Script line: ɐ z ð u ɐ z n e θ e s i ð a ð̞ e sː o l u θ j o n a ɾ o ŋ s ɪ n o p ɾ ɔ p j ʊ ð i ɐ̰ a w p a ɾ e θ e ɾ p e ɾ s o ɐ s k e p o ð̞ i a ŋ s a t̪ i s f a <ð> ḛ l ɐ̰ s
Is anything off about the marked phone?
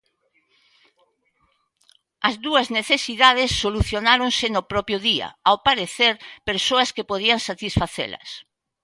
yes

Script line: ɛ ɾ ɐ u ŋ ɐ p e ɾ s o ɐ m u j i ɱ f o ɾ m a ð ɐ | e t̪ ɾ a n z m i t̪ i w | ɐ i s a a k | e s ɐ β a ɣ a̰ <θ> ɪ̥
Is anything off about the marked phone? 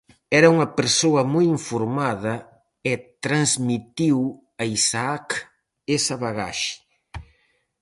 yes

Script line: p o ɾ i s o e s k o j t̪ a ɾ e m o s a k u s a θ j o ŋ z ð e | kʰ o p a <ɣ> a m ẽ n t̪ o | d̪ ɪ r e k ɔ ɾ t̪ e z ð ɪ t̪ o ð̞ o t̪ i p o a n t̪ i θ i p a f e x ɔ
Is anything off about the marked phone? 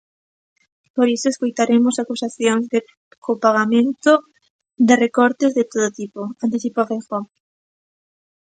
no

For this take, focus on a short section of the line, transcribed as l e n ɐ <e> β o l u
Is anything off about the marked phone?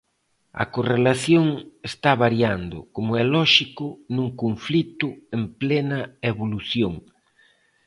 no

